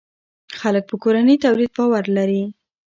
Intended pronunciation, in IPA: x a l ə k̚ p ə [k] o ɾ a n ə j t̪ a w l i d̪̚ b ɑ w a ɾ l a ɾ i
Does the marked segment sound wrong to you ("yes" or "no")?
no